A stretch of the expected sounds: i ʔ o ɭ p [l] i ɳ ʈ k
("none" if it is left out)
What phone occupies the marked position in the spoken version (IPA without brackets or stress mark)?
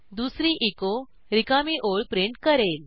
ɾ